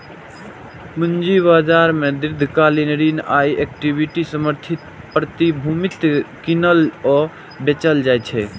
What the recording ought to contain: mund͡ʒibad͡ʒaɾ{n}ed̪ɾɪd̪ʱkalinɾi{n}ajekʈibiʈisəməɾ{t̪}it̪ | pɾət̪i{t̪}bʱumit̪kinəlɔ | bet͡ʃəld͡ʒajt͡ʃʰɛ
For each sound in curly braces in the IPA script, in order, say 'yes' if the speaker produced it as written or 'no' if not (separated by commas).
no, yes, no, no